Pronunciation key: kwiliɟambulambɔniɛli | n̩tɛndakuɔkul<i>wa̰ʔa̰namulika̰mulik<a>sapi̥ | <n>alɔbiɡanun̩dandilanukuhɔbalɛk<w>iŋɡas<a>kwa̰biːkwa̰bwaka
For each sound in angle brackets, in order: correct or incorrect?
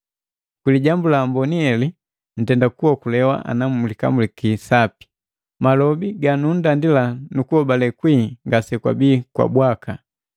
incorrect: ɛ, incorrect: i, incorrect: m, correct, incorrect: ɛ

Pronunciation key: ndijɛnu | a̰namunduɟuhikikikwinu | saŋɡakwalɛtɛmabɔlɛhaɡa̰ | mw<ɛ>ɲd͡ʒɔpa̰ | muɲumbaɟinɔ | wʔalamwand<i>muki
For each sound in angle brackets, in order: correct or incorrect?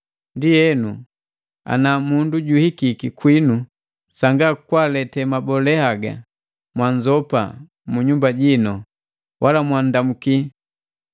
incorrect: a, incorrect: a

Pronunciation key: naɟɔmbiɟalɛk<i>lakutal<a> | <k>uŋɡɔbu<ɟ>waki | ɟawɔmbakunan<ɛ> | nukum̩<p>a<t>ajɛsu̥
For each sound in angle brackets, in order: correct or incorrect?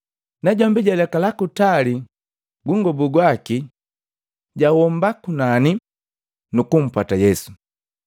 incorrect: a, incorrect: i, incorrect: ɡ, incorrect: ɡ, incorrect: i, correct, correct

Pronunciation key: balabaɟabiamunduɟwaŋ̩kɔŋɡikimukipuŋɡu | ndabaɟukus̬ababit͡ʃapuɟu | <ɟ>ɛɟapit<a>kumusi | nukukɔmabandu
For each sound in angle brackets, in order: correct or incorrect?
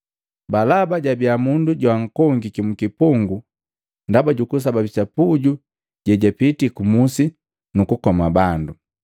correct, incorrect: i

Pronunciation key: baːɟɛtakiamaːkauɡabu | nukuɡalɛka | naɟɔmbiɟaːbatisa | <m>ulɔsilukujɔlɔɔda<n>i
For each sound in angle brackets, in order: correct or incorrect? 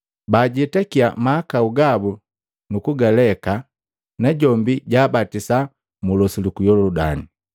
correct, correct

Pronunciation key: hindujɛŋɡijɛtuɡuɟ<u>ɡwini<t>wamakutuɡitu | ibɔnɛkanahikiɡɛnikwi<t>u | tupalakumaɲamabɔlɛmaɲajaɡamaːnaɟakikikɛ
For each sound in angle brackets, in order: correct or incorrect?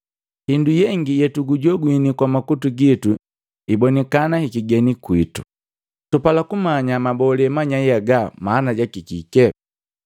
incorrect: ɔ, incorrect: k, correct

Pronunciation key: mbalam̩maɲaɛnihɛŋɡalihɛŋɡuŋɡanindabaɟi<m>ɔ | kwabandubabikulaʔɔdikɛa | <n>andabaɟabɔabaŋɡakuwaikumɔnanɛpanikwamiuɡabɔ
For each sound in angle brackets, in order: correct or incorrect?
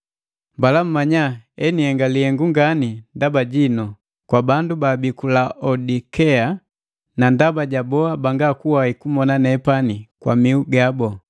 incorrect: n, correct

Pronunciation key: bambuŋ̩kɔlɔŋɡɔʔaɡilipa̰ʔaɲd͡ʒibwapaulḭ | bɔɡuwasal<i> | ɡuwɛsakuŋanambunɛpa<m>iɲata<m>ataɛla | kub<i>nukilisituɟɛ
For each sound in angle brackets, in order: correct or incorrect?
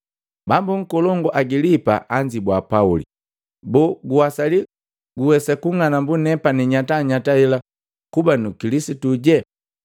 correct, incorrect: n, incorrect: ɲ, incorrect: a

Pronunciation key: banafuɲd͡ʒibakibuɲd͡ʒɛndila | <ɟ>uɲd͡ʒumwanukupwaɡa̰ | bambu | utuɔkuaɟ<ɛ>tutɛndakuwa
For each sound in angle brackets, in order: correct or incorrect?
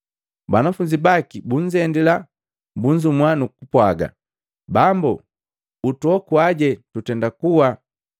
incorrect: b, correct

